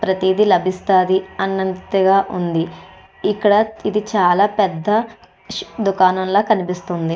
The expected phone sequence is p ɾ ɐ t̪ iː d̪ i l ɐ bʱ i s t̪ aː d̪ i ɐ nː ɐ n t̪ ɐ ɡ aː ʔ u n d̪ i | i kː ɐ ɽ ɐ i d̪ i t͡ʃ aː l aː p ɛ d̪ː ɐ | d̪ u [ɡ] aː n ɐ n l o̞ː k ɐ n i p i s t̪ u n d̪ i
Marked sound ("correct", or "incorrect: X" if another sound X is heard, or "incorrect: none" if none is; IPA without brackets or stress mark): incorrect: k